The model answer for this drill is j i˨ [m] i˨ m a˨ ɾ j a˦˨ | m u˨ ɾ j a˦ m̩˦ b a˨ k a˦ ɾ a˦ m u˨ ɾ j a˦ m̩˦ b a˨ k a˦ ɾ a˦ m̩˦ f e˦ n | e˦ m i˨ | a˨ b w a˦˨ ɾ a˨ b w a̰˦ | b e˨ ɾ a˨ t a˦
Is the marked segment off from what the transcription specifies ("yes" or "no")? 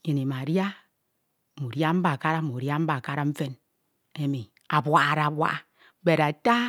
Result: yes